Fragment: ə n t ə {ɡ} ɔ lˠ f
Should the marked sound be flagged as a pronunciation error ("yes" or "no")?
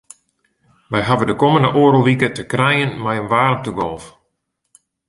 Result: no